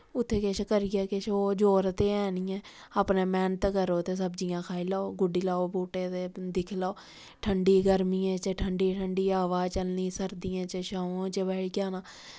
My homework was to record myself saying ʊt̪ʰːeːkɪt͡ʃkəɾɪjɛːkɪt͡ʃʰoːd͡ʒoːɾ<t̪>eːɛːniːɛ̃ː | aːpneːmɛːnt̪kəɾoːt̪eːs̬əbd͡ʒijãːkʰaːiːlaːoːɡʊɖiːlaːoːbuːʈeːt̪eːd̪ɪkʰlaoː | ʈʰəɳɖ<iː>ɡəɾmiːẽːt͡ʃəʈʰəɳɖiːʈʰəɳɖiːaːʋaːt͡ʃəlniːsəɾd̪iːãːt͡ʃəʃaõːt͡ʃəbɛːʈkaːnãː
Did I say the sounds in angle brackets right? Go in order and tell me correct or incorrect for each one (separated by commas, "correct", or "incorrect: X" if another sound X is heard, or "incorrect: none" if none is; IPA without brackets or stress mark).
correct, correct